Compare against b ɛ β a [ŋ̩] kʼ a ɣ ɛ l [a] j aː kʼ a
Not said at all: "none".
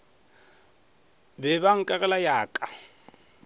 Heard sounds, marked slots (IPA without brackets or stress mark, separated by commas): ŋ̩, a